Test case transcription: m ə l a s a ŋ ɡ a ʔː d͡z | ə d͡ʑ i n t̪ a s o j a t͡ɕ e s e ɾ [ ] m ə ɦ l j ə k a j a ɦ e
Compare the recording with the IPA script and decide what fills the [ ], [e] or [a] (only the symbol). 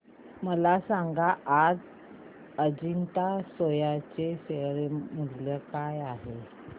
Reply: e